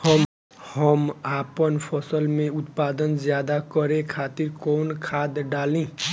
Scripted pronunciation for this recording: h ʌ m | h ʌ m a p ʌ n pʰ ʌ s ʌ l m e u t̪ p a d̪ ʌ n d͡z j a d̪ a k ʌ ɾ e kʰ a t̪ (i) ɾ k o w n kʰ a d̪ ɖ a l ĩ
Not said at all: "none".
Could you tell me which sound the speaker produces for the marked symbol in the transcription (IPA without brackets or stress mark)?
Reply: i